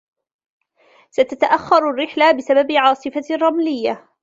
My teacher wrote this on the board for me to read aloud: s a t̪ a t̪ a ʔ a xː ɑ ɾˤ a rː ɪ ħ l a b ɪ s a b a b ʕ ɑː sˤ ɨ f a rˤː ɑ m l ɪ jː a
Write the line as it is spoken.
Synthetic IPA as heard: s a t̪ a t̪ a ʔ a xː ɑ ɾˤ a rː ɪ ħ l a b ɪ s a b a b ʕ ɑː sˤ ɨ f a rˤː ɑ m l ɪ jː a

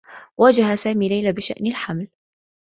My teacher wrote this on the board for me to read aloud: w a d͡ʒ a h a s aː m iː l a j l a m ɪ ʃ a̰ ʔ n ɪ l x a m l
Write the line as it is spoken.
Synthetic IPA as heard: w a d͡ʒ a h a s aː m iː l a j l a b ɪ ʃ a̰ ʔ n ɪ l ħ a m l

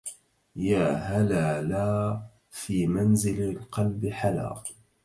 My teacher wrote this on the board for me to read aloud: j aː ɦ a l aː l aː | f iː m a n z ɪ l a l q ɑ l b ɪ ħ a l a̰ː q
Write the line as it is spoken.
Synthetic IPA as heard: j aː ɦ a l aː l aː | f iː m a n z ɪ l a l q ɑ l b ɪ ħ a l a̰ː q

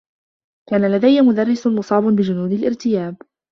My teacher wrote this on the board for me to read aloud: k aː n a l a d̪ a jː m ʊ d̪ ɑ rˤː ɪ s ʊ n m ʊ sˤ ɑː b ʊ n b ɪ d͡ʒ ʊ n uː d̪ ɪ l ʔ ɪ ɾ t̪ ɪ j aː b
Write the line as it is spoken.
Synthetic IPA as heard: k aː n a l a d̪ a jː m ʊ d̪ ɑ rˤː ɪ s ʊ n m ʊ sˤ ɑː b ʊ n b ɪ d͡ʒ ʊ n uː d̪ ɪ l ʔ ɪ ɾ t̪ ɪ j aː b

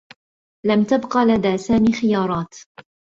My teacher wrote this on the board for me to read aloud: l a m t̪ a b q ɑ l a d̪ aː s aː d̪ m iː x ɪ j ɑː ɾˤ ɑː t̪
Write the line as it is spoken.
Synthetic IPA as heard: l a m t̪ a b q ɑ l a d̪ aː s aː m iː x ɪ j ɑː ɾˤ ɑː t̪

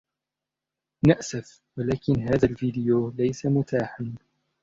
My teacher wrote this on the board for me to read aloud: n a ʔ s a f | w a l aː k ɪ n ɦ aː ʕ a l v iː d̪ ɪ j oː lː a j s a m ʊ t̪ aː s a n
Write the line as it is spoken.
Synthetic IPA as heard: n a ʔ s a f | w a l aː k ɪ n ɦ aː ð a l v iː d̪ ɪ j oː l a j s a m ʊ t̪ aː ħ a n

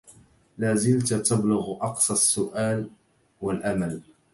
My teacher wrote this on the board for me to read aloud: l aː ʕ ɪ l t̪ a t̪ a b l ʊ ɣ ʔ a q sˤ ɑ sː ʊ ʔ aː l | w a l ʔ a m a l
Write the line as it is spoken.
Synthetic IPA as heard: l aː z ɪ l t̪ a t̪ a b l ʊ ɣ ʔ ɑ q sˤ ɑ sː ʊ ʔ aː l | w a l ʔ a m a l

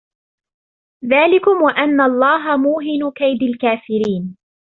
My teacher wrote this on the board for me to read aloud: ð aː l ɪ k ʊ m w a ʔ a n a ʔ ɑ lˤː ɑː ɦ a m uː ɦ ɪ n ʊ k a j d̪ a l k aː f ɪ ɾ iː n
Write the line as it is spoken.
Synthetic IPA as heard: ð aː l ɪ k ʊ m w a ʔ a nː a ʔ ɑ lˤː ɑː ɦ a m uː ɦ ɪ n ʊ k a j d̪ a l k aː f ɪ ɾ iː n

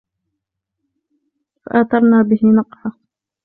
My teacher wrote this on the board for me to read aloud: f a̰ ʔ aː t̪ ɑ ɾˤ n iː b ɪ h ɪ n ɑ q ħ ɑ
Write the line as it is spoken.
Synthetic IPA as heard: f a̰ ʔ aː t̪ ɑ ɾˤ n aː b ɪ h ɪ n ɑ q ħ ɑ

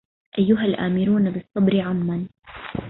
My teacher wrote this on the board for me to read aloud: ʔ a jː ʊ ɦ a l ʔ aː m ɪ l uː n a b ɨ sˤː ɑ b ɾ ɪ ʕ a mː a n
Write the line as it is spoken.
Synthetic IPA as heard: ʔ a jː ʊ ɦ a l ʔ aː m ɪ ɾ uː n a b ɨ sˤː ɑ b ɾ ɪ ʕ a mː a n

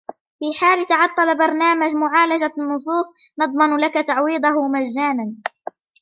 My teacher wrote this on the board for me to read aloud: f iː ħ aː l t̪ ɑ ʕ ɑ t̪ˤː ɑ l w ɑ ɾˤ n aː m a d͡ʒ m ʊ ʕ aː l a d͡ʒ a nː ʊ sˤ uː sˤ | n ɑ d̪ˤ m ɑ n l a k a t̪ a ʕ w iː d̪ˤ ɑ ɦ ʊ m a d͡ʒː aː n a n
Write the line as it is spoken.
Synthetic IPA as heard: f iː ħ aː l t̪ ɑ ʕ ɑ t̪ˤː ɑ l b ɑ ɾˤ n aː m a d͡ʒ m ʊ ʕ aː l a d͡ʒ a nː ʊ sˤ uː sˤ | n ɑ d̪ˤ m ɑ n l a k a t̪ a ʕ w iː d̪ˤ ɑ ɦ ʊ m a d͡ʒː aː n a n

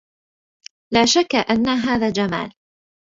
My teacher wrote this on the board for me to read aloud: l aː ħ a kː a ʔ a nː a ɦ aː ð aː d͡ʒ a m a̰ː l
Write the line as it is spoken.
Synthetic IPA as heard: l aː ʃ a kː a ʔ a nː a ɦ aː ð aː d͡ʒ a m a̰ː l

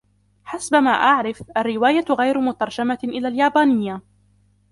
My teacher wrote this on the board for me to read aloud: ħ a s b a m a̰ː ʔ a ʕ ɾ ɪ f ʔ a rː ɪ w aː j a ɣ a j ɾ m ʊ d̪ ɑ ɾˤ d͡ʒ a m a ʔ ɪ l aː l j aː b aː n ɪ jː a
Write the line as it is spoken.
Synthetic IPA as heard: ħ a s b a m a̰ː ʔ a ʕ ɾ ɪ f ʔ a rː ɪ w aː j a ɣ a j ɾ m ʊ t̪ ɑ ɾˤ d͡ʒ a m a ʔ ɪ l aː l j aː b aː n ɪ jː a

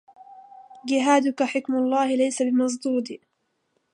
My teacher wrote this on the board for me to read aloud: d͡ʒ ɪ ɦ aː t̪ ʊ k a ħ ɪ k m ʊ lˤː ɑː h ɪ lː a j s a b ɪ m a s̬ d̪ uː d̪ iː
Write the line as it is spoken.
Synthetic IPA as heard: d͡ʒ ɪ ɦ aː d̪ ʊ k a ħ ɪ k m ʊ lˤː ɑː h ɪ l a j s a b ɪ m ɑ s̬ d̪ uː d̪ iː

